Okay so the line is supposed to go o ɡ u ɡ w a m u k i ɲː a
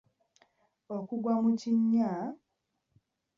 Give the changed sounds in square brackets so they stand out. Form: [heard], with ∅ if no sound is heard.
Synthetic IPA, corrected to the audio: o [k] u ɡ w a m u [c] i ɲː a